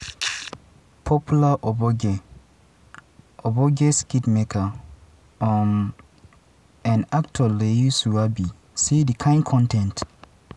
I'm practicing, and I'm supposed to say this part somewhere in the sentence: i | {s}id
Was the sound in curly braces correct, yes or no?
yes